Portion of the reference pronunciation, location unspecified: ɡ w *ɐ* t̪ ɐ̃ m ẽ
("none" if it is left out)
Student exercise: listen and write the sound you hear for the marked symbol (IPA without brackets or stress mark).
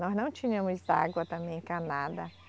ɐ